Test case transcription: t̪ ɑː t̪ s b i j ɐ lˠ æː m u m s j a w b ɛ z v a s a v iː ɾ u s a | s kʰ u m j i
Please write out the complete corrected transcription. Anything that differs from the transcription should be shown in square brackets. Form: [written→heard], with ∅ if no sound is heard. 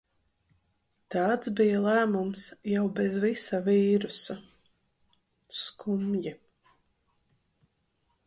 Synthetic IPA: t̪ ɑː t̪ s b i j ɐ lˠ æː m u m s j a w b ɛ z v [a→i] s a v iː ɾ u s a | s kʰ u m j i